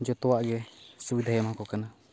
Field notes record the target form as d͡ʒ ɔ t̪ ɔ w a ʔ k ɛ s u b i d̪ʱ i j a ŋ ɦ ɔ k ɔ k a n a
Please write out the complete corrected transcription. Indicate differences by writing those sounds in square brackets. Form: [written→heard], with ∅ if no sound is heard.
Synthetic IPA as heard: d͡ʒ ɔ t̪ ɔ w a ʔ [k→ɡ] ɛ s u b i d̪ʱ [i→a] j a [ŋ→m] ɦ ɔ k ɔ k a n a